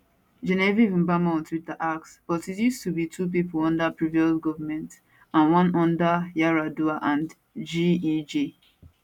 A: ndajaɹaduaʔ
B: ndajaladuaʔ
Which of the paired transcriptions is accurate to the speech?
A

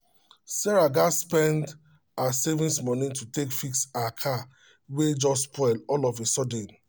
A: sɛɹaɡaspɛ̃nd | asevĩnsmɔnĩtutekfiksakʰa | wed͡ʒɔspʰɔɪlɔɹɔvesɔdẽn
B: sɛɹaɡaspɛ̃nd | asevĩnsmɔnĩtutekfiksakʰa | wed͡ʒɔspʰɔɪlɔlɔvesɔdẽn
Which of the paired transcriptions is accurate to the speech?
B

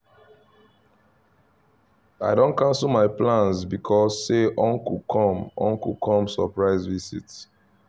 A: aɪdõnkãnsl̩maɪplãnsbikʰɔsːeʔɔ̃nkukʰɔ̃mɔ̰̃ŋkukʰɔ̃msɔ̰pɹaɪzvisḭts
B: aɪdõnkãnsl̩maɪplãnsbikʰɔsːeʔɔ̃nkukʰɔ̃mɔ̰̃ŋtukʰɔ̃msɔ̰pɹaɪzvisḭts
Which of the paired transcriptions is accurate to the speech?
A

